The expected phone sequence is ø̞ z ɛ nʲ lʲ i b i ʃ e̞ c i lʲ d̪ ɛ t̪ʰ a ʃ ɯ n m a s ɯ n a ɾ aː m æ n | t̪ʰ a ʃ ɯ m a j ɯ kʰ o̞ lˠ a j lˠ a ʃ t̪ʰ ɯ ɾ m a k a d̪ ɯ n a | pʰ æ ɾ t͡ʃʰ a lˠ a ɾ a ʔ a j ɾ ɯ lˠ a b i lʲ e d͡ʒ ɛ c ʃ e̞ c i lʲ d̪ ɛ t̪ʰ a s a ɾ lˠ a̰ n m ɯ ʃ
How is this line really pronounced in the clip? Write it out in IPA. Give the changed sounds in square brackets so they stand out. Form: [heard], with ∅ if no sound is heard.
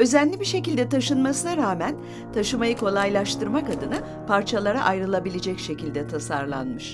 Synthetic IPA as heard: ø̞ z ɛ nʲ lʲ i b i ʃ e̞ c i lʲ d̪ ɛ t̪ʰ a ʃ ɯ n m a s ɯ n a ɾ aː m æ n | t̪ʰ a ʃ ɯ m a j ɯ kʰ o̞ lˠ a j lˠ a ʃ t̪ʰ ɯ ɾ m a k a d̪ ɯ n a | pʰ [a] ɾ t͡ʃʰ a lˠ a ɾ a ʔ a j ɾ ɯ lˠ a b i lʲ e d͡ʒ ɛ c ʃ e̞ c i lʲ d̪ ɛ t̪ʰ a s a ɾ lˠ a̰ n m ɯ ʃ

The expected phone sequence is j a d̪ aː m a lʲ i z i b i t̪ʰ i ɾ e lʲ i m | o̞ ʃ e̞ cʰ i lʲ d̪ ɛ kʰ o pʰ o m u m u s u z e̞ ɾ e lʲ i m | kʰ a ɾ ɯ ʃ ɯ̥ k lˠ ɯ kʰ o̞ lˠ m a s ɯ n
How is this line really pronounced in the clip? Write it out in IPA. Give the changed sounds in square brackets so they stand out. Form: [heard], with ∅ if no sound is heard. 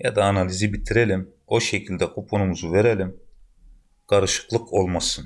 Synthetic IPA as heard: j a d̪ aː [n] a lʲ i z i b i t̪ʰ i ɾ e lʲ i m | o̞ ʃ e̞ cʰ i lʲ d̪ ɛ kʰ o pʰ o [n] u m u [z] u [v] e̞ ɾ e lʲ i m | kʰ a ɾ ɯ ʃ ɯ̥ k lˠ ɯ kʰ o̞ lˠ m a s ɯ n

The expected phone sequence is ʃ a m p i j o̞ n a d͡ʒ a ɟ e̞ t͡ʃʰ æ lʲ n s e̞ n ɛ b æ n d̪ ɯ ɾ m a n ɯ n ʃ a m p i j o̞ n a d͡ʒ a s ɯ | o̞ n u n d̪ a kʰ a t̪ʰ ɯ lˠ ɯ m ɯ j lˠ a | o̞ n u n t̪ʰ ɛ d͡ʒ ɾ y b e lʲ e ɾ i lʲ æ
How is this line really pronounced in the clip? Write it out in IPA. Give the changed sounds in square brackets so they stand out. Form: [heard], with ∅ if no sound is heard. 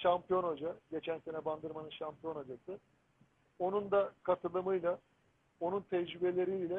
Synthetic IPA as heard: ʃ a m p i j o̞ n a d͡ʒ a ɟ e̞ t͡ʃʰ æ [∅] n s e̞ n ɛ b [a] n d̪ ɯ ɾ m a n ɯ n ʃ a m p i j o̞ n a d͡ʒ a s ɯ | o̞ n u n d̪ a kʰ a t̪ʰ ɯ lˠ ɯ m ɯ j lˠ a | o̞ n u n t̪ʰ ɛ d͡ʒ ɾ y b e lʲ e ɾ i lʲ [ɛ]

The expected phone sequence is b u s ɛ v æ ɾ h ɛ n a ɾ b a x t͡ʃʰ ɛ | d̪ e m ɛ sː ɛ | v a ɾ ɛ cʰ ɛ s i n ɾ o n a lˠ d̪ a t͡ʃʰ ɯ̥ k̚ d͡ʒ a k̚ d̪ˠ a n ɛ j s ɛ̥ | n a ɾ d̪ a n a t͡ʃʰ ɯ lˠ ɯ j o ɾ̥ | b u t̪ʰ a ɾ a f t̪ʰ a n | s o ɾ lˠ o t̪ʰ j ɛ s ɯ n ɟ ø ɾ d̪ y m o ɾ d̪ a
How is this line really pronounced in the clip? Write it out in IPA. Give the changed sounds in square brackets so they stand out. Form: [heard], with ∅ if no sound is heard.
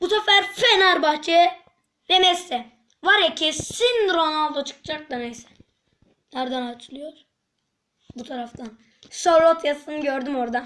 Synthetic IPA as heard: b u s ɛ [f] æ ɾ [f] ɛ n a ɾ b a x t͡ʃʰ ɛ | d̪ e m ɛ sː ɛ | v a ɾ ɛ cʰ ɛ s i n ɾ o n a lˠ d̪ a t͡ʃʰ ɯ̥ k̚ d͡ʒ a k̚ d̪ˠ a n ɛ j s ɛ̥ | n a ɾ d̪ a n a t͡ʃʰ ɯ lˠ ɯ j o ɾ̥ | b u t̪ʰ a ɾ a f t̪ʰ a n | s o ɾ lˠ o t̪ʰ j [a] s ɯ n ɟ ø ɾ d̪ y m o ɾ d̪ a

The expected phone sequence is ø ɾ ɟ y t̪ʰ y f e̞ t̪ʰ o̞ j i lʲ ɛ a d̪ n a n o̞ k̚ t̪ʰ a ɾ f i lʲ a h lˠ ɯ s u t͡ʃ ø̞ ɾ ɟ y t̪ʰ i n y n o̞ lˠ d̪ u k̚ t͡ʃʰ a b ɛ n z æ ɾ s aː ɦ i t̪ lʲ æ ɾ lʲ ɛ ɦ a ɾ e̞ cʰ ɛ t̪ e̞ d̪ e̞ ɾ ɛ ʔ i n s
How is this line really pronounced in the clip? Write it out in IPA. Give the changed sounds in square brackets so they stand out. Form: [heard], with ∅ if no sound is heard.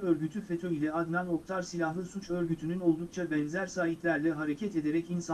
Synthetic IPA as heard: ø ɾ ɟ y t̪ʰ y f e̞ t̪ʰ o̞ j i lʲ ɛ a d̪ n a n o̞ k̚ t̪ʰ a ɾ [s] i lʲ a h lˠ ɯ s u t͡ʃ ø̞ ɾ ɟ y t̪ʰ [y] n y n o̞ lˠ d̪ u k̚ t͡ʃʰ a b ɛ n z æ ɾ s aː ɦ i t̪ lʲ æ ɾ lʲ ɛ ɦ a ɾ e̞ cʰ ɛ t̪ e̞ d̪ e̞ ɾ ɛ [c] i n s

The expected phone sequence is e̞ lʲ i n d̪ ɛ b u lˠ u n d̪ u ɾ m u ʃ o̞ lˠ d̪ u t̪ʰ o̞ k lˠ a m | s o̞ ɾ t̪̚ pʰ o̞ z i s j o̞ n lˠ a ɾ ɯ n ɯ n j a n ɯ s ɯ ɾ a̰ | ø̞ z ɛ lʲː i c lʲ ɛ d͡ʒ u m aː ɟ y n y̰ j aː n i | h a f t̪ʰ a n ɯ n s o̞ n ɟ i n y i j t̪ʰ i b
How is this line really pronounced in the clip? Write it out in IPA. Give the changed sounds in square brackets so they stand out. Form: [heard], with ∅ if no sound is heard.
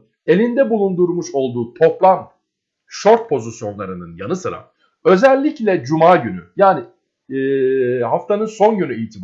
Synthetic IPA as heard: e̞ lʲ i n d̪ ɛ b u lˠ u n d̪ u ɾ m u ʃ o̞ lˠ d̪ [uː] t̪ʰ o̞ [p] lˠ a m | [ʃ] o̞ ɾ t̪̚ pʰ o̞ z i s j o̞ n lˠ a ɾ ɯ n ɯ n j a n ɯ s ɯ ɾ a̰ | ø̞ z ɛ lʲː i c lʲ ɛ d͡ʒ u m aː ɟ y n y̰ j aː n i | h a f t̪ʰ a n ɯ n s o̞ n ɟ [y] n y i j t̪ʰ i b

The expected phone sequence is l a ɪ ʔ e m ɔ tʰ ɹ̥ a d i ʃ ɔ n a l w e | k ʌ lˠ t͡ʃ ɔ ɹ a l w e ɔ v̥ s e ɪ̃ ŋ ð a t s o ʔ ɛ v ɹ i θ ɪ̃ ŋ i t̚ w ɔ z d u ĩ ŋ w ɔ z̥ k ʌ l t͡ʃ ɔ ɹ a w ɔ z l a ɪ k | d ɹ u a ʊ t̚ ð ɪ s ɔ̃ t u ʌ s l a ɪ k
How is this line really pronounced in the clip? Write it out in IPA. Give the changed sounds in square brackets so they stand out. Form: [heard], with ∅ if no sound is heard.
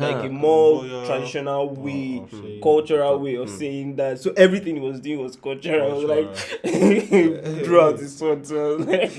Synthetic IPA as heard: l a ɪ [k] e m ɔ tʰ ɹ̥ a d i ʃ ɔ n a l w e | k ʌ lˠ t͡ʃ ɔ ɹ a l w e ɔ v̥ s e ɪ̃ ŋ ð a t s o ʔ ɛ v ɹ i θ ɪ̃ ŋ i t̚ w ɔ z d u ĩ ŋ w ɔ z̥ k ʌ l t͡ʃ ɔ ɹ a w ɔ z l a ɪ k | d ɹ u a ʊ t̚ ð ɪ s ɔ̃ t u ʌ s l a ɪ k

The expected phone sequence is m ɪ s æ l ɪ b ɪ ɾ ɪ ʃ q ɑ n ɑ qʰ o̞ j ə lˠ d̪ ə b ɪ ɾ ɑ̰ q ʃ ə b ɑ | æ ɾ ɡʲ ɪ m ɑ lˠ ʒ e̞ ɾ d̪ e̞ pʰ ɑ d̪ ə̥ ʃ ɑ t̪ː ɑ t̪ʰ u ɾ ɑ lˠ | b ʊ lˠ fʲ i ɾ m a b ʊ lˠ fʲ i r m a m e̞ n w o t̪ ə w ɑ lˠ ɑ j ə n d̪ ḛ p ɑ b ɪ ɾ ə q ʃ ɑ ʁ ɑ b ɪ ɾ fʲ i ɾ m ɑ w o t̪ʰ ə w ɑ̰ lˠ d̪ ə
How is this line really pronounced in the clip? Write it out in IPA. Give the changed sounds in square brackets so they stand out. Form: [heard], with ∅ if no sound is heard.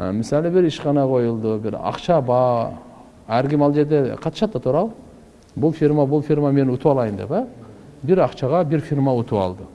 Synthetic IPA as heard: m ɪ s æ l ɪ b ɪ ɾ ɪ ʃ q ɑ n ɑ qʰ o̞ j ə lˠ d̪ ə b ɪ ɾ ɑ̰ q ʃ [ɑ] b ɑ | æ ɾ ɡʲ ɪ m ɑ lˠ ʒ e̞ ɾ d̪ e̞ [qʰ] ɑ [t̪] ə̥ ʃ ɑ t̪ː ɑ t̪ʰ u ɾ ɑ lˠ | b ʊ lˠ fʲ i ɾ m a b ʊ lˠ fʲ i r m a m e̞ n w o t̪ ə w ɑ lˠ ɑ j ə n d̪ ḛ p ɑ b ɪ ɾ [ɑ] q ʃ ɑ ʁ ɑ b ɪ ɾ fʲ i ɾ m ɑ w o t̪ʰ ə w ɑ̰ lˠ d̪ ə

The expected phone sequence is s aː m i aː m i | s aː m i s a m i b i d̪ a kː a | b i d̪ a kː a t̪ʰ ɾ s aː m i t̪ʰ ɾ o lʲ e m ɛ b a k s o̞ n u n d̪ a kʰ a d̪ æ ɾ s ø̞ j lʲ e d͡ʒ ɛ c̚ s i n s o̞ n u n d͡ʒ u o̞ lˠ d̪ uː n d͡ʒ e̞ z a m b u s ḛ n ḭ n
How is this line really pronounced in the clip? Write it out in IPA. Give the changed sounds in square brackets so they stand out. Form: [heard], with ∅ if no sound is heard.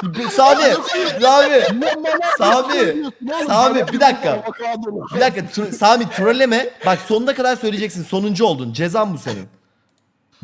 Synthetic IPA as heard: s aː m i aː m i | s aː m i s a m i b i d̪ a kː a | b i d̪ a kː a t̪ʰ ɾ s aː m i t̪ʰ ɾ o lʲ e m ɛ b a k s o̞ n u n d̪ a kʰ a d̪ [a] ɾ s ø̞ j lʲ e d͡ʒ ɛ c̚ s i n s o̞ n u n d͡ʒ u o̞ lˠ d̪ [u] n d͡ʒ e̞ z a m b u s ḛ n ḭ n

